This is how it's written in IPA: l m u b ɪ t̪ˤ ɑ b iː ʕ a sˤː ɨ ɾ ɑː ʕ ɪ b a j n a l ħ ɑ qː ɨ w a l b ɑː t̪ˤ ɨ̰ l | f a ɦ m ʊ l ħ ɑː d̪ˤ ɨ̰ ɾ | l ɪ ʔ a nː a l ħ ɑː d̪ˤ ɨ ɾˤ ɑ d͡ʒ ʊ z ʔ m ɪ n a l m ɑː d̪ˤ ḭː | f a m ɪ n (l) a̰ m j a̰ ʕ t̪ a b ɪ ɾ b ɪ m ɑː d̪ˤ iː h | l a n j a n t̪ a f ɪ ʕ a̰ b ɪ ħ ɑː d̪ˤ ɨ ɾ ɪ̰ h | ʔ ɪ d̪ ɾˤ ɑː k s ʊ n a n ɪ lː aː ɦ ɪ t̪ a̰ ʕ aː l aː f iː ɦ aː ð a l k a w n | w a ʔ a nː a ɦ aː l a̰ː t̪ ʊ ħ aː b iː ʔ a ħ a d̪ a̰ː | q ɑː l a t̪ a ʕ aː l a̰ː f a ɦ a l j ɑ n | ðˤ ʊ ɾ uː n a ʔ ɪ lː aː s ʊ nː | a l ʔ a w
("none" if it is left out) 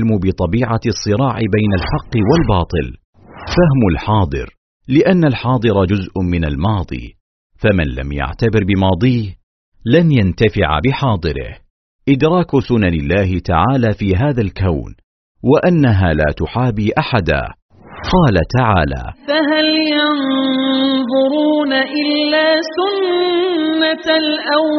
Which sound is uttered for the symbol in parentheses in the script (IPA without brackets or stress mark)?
l